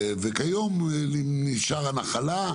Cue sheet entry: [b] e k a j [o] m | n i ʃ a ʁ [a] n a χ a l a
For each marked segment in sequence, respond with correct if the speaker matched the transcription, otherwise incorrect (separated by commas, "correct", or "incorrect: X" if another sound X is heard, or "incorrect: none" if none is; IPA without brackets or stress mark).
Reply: incorrect: v, correct, correct